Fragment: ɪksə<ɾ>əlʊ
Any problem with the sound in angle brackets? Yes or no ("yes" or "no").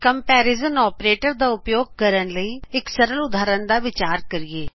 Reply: no